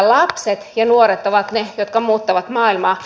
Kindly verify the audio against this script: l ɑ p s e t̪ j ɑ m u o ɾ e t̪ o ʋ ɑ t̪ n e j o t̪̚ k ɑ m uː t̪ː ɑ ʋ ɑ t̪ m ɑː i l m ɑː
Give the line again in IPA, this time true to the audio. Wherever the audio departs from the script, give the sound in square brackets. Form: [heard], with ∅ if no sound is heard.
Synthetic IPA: l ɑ p s e t̪ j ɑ [n] u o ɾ e t̪ o ʋ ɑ t̪ n e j o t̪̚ k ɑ m uː t̪ː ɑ ʋ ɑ t̪ m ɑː i l m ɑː